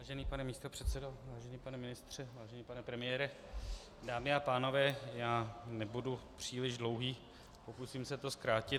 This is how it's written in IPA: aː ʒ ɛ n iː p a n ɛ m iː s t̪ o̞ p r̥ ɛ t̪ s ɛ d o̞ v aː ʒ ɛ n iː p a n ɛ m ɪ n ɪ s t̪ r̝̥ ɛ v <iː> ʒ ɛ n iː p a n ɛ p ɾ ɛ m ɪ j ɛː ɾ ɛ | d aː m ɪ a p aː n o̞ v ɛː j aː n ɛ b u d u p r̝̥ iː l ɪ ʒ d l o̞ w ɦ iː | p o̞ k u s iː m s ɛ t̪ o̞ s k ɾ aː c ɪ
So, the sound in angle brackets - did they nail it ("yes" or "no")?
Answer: no